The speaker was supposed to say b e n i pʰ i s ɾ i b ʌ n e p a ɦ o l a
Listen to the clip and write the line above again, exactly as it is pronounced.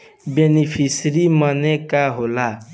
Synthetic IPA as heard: b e n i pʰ i s ɾ i m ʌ n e k a ɦ o l a